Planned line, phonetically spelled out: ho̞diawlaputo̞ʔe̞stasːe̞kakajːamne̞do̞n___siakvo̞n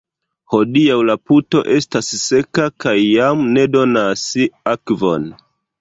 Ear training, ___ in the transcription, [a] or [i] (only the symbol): a